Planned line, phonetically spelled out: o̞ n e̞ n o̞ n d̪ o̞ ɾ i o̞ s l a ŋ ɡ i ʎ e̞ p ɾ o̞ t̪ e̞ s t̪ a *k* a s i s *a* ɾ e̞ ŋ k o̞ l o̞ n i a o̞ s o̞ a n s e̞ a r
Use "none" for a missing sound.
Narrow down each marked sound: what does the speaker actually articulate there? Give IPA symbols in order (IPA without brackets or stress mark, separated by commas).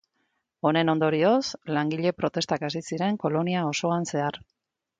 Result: k, i